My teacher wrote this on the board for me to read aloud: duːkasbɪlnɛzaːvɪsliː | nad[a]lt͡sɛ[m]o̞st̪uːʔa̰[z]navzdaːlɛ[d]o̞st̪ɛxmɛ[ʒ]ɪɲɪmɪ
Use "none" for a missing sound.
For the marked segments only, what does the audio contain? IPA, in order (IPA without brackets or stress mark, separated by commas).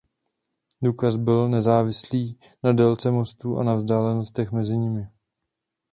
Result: ɛ, m, none, n, z